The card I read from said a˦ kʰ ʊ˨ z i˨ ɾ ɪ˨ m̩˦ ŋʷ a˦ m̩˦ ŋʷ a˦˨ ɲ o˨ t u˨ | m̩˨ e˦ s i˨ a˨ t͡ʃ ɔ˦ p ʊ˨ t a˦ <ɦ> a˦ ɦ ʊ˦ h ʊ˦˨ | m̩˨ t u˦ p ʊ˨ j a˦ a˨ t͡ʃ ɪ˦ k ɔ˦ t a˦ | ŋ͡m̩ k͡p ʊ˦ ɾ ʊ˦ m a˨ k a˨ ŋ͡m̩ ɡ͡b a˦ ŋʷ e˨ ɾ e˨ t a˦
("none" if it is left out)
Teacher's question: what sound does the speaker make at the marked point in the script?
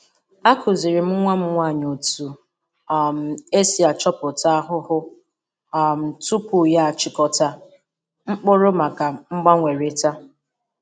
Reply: none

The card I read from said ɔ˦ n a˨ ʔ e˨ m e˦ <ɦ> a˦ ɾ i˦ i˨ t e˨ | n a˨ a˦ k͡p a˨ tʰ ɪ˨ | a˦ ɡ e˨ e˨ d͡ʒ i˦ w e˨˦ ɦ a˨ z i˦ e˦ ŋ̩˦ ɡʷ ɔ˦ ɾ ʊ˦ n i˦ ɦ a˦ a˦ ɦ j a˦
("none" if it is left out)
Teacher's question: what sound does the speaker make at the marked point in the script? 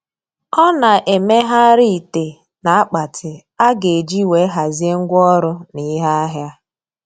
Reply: ɦ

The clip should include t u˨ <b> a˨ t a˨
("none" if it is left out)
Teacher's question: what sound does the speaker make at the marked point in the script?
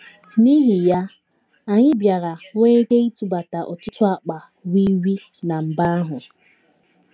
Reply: b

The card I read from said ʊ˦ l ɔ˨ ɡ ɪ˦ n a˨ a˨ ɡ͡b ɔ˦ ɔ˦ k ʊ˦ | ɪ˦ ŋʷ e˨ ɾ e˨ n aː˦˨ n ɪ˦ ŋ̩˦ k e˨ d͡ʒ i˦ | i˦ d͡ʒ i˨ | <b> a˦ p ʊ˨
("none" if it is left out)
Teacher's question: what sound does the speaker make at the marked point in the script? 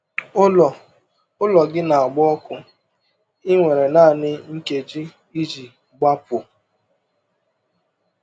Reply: ɡ͡b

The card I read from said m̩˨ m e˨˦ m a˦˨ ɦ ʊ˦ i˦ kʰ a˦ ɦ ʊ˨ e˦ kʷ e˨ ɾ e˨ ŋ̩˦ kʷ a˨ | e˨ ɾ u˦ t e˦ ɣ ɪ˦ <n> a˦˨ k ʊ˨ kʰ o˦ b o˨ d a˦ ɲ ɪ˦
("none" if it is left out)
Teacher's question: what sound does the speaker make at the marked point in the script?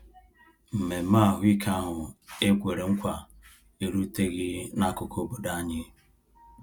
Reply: n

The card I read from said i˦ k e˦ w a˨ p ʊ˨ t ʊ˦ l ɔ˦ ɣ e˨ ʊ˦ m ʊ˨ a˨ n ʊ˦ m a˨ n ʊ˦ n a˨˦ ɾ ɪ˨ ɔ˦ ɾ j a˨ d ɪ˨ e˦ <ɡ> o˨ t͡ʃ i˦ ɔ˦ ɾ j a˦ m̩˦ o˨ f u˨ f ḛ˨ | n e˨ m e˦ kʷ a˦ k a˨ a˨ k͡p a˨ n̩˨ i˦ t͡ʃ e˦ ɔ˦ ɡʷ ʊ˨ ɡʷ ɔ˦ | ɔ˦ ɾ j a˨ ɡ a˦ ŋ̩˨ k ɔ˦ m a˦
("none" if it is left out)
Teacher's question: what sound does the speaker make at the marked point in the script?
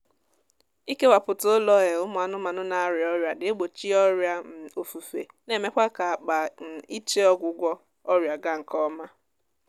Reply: ɡ͡b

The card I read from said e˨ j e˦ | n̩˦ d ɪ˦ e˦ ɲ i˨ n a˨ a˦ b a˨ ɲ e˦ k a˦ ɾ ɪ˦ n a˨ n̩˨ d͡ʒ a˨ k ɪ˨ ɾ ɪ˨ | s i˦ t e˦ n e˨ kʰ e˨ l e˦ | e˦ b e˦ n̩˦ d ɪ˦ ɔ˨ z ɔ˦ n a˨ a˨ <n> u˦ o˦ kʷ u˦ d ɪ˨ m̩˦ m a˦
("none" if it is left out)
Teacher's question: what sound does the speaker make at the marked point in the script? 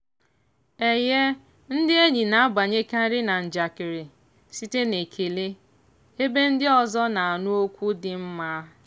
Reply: n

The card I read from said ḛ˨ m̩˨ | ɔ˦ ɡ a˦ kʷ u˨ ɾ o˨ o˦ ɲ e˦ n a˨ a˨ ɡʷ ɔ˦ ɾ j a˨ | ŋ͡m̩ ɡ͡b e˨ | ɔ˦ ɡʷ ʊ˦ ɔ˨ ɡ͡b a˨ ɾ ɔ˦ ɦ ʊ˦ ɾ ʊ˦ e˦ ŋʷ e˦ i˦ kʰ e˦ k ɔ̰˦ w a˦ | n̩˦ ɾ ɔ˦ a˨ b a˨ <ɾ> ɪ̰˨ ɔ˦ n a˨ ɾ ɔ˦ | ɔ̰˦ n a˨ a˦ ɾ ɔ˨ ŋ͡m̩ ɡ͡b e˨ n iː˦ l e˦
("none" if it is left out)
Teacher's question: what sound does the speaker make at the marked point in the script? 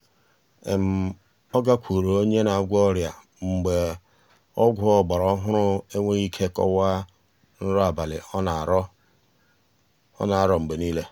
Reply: l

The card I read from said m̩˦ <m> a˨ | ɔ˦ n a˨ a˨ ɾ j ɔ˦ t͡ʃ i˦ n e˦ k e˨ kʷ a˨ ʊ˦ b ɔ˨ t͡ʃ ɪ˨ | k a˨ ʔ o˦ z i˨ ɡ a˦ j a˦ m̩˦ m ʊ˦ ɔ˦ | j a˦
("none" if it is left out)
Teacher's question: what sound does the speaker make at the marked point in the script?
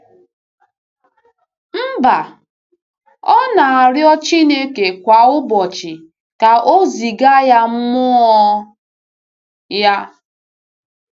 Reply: b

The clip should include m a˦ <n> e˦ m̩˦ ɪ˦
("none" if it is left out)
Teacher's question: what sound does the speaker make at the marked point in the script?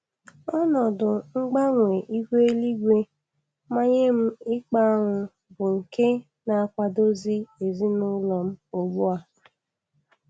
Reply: ɲ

